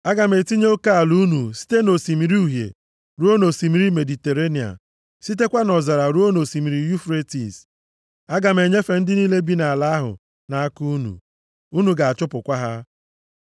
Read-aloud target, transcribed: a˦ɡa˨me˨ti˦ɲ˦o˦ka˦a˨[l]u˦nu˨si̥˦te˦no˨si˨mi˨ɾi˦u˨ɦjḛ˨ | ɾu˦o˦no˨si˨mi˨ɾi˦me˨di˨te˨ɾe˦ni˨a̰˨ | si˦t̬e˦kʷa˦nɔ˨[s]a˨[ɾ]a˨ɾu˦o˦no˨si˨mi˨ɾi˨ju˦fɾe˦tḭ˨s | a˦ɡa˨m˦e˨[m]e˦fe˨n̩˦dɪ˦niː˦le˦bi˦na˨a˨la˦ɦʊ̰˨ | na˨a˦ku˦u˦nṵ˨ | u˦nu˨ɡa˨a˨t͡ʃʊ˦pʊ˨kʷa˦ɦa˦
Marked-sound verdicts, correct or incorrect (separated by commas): correct, incorrect, correct, incorrect